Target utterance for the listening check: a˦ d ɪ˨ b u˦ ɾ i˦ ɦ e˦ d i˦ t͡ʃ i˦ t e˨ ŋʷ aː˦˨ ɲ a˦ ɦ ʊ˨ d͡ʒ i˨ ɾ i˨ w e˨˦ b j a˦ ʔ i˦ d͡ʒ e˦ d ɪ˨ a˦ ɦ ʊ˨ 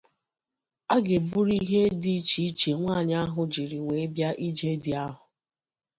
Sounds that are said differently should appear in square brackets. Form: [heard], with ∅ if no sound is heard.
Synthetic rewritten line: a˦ [ɡ] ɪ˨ b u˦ ɾ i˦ ɦ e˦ d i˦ t͡ʃ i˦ [t͡ʃ] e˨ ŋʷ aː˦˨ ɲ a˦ ɦ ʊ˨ d͡ʒ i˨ ɾ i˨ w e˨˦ b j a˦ ʔ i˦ d͡ʒ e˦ d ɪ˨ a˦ ɦ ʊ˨